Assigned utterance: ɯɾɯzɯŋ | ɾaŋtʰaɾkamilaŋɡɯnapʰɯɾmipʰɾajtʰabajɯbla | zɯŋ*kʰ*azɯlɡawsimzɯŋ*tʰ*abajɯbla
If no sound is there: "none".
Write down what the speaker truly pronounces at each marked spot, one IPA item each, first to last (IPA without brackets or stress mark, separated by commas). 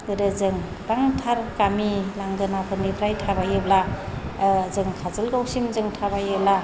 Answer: kʰ, tʰ